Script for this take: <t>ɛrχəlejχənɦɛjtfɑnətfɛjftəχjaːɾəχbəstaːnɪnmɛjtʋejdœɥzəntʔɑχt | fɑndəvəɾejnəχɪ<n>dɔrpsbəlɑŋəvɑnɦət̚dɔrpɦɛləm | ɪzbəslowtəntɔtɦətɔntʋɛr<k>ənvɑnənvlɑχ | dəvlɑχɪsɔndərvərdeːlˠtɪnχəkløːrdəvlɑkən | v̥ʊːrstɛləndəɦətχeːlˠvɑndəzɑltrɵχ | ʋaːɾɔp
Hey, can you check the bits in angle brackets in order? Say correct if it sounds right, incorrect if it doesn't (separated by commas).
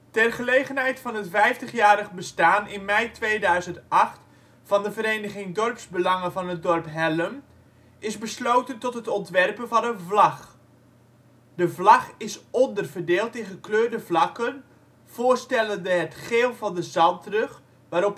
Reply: correct, incorrect, incorrect